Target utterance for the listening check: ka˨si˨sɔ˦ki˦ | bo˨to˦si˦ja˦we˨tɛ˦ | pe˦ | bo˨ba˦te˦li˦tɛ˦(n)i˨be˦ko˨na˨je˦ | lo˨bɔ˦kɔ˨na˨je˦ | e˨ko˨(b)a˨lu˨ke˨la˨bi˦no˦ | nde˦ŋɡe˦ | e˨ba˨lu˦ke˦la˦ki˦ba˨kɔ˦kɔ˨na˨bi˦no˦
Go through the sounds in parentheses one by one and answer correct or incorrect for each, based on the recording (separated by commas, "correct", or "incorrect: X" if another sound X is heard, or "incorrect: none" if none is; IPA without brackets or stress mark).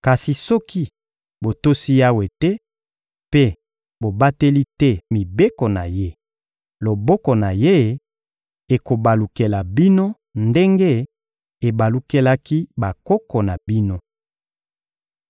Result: incorrect: m, correct